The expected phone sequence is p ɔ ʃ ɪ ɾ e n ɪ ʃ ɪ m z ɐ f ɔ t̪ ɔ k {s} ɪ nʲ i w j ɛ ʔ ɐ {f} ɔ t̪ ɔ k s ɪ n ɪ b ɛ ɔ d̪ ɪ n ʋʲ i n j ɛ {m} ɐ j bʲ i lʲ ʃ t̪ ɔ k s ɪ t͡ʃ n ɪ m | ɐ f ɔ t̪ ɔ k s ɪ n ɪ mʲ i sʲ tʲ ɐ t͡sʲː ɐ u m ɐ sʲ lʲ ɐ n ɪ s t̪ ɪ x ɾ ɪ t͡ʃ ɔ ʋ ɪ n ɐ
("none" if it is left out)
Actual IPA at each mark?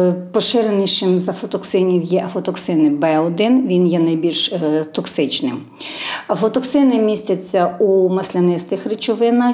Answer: s, f, n

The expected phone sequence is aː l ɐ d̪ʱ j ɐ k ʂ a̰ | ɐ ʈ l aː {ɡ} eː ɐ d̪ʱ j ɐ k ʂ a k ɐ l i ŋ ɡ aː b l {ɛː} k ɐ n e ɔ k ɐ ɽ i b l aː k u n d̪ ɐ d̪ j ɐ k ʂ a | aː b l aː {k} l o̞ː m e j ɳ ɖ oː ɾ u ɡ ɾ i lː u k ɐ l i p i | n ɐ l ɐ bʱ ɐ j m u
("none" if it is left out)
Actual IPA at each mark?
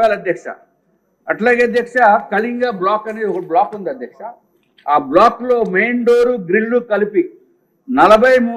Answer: ɡ, aː, k

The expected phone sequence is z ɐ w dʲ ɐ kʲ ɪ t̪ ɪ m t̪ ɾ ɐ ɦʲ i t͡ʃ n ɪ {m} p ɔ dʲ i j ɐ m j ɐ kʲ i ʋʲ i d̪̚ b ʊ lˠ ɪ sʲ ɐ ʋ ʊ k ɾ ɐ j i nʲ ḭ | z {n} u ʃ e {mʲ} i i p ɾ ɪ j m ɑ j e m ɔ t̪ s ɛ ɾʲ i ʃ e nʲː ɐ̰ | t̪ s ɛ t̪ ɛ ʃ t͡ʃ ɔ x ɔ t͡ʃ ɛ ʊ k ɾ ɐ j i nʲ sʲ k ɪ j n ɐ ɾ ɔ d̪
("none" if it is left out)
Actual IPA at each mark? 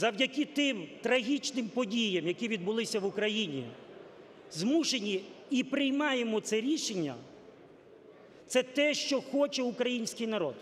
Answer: m, m, nʲ

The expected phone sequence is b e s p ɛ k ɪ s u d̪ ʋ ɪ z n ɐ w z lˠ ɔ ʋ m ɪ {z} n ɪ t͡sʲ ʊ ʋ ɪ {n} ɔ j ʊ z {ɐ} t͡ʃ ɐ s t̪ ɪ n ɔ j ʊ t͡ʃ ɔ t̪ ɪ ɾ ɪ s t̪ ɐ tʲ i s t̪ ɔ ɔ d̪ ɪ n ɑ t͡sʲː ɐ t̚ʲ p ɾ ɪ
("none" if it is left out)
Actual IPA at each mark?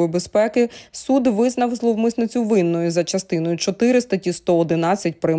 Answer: s, nː, ɐ

